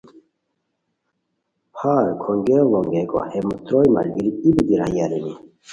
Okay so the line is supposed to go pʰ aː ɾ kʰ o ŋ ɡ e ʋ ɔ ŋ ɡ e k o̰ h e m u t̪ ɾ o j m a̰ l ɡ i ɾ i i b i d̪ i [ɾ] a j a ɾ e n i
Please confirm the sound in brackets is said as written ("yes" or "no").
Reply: yes